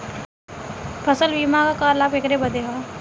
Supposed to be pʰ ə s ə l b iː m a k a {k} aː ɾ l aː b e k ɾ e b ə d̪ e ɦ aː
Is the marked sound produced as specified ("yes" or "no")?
yes